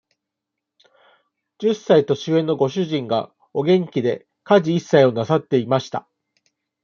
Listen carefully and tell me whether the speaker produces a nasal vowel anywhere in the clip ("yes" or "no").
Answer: yes